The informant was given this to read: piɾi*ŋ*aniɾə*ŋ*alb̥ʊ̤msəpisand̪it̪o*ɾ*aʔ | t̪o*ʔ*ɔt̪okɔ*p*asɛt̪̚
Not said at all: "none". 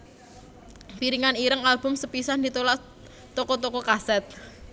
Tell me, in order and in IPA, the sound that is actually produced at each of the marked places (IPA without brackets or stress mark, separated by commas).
ŋ, ŋ, l, k, k